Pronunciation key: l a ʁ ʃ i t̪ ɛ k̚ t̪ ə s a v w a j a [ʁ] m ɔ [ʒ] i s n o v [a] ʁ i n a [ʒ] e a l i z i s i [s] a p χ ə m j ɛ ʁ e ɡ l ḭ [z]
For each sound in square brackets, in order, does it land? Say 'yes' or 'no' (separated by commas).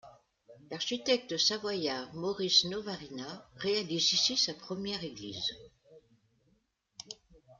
yes, no, yes, no, yes, yes